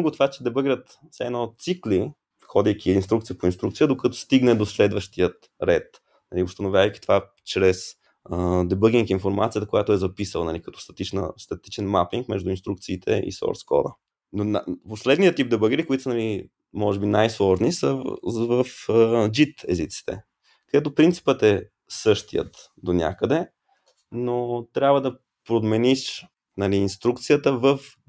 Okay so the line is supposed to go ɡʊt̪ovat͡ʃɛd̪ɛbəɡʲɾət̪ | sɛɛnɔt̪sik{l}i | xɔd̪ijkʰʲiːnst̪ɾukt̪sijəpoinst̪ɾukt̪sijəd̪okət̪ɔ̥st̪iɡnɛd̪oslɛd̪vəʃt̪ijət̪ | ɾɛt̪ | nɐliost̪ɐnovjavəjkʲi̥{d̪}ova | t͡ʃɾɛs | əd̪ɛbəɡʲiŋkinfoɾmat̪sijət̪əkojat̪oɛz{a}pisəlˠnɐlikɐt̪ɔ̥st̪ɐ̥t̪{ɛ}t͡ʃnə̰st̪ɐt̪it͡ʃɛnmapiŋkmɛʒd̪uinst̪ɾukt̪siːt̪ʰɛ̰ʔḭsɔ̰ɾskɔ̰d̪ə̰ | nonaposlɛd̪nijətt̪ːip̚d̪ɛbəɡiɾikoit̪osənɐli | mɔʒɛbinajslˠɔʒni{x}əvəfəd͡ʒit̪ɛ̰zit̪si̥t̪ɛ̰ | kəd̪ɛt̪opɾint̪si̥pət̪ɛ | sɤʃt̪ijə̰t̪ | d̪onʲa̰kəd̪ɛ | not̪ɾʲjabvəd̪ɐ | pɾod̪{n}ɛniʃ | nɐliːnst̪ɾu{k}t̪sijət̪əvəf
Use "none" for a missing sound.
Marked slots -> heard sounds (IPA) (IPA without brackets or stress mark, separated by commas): l, t̪, ɐ, i, s, m, k